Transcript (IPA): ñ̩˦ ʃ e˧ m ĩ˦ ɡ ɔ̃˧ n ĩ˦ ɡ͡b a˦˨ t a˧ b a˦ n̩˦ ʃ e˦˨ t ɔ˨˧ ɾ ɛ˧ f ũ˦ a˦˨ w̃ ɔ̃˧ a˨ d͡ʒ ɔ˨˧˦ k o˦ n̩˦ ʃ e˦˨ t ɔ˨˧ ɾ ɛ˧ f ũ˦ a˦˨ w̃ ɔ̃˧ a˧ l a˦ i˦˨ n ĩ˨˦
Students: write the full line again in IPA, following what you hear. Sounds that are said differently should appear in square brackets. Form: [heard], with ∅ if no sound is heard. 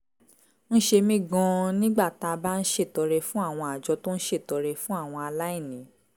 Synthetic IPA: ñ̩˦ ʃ e˧ m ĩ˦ ɡ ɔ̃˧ n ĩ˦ ɡ͡b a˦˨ t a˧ b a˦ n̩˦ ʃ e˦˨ t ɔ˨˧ ɾ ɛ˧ f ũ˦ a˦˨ w̃ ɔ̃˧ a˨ d͡ʒ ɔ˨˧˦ [t] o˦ n̩˦ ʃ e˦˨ t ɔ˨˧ ɾ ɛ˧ f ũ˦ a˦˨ w̃ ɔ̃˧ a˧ l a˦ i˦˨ n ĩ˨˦